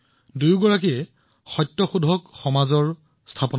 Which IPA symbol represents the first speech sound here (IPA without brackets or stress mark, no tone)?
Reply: d